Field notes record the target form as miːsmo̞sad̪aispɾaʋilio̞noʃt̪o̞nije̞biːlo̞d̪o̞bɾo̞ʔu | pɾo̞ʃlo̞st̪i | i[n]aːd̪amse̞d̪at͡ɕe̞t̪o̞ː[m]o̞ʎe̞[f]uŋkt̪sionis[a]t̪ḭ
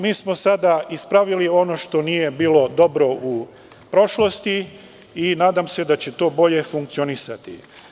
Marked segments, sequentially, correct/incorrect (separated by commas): correct, incorrect, correct, correct